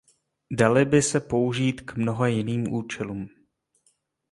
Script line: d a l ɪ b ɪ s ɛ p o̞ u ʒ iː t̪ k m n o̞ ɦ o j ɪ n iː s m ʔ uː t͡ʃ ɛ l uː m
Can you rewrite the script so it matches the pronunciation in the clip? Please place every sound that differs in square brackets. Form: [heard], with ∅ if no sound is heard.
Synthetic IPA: d a l ɪ b ɪ s ɛ p o̞ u ʒ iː t̪ k m n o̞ ɦ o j ɪ n iː [∅] m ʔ uː t͡ʃ ɛ l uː m